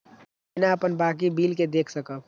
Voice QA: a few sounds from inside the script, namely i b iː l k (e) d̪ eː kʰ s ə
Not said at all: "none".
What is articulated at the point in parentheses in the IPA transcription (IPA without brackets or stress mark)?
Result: e